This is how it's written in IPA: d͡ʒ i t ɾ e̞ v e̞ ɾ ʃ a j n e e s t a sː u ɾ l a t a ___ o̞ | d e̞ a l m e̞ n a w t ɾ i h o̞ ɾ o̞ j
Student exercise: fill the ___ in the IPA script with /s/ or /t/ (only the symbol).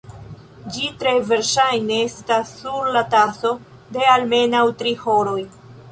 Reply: s